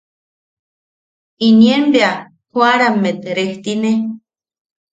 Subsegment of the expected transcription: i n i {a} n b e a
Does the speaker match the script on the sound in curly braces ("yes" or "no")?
no